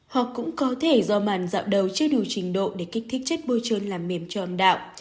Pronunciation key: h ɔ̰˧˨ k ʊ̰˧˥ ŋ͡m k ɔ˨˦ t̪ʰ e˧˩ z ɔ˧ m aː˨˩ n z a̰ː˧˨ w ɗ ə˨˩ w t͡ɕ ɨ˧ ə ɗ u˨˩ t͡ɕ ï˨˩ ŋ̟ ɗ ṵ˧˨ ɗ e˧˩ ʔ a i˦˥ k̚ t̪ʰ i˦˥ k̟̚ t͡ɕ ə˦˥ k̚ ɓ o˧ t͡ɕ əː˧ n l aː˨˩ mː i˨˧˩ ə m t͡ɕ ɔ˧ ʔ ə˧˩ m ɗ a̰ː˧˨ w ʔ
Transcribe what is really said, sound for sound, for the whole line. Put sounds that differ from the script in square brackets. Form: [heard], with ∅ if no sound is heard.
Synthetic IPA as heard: h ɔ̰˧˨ k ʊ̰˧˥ ŋ͡m k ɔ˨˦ t̪ʰ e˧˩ z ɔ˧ m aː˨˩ n z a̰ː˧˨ w ɗ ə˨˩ w t͡ɕ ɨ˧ ə ɗ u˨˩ t͡ɕ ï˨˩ ŋ̟ ɗ [o̰˧˨] ɗ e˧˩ [k] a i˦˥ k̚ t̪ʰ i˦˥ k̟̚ t͡ɕ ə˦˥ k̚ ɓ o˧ t͡ɕ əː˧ n l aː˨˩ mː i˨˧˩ ə m t͡ɕ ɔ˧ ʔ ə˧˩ m ɗ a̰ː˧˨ w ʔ